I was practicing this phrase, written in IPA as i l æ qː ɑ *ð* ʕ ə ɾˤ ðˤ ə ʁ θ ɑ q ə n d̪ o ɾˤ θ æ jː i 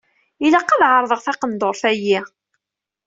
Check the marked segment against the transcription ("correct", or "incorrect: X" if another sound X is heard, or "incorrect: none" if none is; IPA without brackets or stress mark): correct